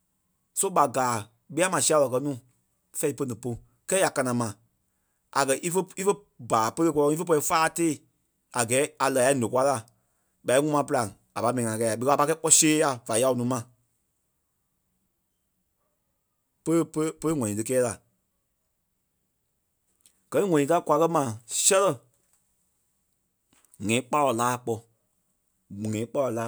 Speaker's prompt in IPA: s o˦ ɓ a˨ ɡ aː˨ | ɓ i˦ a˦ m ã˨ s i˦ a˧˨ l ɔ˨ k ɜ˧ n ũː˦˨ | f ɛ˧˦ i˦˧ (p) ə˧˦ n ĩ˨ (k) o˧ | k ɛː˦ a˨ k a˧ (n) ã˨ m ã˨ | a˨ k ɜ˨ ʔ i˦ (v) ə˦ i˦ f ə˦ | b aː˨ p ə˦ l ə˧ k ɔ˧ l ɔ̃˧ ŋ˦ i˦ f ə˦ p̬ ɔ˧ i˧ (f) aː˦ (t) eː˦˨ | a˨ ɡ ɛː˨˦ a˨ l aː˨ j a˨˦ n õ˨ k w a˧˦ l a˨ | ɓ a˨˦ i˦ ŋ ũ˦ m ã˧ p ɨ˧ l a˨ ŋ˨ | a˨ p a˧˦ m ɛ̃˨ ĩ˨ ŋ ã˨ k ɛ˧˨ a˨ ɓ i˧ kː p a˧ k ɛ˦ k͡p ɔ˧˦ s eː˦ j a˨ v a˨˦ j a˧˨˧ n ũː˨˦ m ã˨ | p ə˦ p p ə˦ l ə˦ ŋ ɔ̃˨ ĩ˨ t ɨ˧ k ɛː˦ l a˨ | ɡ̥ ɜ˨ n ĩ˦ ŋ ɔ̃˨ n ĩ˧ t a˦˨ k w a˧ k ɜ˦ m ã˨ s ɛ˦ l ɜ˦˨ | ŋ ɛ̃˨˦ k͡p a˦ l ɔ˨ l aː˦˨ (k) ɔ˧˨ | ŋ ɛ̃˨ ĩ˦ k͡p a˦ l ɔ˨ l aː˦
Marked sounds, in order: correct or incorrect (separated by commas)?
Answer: correct, incorrect, correct, incorrect, correct, correct, incorrect